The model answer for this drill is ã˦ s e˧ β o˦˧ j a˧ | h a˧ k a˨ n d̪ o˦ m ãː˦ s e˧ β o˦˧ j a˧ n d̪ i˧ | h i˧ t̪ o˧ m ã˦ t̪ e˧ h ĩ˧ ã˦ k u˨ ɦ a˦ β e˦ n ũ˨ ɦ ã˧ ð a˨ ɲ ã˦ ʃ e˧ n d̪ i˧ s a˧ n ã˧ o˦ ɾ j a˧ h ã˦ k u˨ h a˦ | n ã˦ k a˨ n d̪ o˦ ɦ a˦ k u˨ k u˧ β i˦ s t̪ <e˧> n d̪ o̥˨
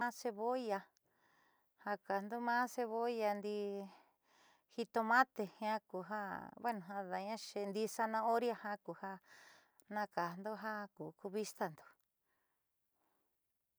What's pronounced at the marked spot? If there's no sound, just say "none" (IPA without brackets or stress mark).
a˧